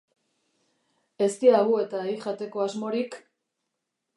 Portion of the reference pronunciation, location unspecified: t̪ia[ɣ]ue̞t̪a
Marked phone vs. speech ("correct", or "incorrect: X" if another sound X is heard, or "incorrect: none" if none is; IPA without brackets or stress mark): correct